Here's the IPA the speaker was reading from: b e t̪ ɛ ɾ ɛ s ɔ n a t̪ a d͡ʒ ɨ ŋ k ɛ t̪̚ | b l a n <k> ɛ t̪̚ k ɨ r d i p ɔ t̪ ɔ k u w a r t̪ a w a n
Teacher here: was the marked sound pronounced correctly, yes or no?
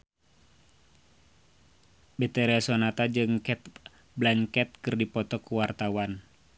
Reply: yes